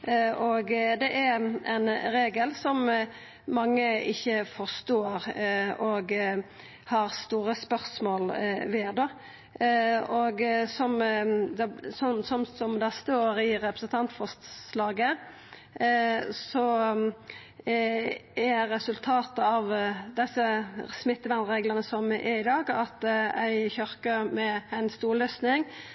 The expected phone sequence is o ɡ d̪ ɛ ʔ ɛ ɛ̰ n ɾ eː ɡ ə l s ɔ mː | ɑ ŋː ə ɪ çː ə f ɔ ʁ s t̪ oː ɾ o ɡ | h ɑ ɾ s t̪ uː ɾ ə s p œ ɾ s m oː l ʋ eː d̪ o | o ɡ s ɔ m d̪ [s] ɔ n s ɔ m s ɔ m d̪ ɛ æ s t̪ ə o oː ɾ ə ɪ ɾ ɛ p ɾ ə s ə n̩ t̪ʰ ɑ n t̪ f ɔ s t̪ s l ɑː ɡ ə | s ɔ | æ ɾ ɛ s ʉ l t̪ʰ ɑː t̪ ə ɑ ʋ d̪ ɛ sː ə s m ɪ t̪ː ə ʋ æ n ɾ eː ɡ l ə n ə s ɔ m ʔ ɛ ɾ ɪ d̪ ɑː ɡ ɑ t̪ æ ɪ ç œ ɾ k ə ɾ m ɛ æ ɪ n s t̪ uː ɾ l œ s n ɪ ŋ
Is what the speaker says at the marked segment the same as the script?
yes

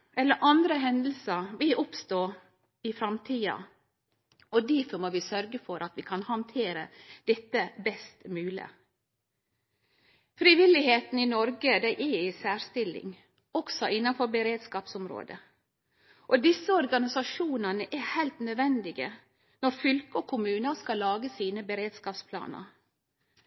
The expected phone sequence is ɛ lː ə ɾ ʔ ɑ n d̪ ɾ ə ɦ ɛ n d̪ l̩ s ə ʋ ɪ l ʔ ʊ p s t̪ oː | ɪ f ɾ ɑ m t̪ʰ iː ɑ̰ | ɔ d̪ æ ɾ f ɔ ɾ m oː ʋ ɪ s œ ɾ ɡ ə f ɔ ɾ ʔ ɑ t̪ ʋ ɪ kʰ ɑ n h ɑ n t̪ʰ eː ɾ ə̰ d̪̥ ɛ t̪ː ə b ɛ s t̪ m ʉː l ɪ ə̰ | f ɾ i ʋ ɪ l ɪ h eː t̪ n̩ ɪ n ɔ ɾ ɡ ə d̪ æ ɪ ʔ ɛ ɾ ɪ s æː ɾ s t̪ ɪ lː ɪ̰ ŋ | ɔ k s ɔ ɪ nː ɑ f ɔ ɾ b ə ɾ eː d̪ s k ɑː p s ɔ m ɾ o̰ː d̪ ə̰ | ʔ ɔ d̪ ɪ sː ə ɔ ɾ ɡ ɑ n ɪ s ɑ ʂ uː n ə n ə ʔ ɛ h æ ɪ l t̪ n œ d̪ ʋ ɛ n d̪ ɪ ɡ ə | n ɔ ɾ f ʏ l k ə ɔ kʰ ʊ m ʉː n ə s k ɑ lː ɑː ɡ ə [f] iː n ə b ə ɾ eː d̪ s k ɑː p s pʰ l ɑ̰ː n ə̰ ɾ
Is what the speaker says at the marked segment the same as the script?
no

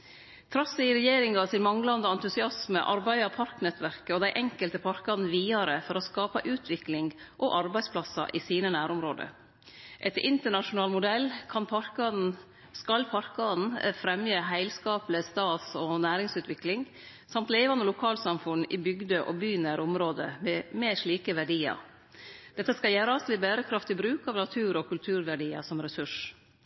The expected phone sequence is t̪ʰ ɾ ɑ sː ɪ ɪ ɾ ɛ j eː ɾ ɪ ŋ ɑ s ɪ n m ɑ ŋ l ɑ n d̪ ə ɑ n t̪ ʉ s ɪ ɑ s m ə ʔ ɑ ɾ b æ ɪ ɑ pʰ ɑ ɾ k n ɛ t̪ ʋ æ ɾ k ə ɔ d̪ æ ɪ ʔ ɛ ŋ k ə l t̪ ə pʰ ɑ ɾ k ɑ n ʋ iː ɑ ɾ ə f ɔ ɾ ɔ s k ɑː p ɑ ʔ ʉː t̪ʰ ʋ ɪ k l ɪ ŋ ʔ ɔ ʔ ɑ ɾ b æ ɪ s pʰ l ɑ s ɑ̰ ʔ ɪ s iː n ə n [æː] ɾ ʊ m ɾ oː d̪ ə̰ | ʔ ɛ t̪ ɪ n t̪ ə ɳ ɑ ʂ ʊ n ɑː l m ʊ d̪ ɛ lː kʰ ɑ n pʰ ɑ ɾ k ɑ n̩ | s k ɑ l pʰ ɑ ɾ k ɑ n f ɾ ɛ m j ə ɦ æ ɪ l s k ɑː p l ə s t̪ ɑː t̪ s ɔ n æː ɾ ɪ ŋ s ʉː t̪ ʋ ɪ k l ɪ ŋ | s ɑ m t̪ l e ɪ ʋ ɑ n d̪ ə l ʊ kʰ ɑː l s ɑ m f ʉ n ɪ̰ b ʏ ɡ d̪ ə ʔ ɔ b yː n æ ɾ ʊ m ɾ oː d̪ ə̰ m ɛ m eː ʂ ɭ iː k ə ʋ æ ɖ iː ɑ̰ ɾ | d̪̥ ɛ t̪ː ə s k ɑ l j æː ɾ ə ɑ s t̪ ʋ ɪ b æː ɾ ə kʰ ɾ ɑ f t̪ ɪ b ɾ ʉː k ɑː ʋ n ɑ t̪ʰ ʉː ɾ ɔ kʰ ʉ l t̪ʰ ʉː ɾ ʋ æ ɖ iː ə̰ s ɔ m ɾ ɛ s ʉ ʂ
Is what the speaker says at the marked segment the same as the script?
yes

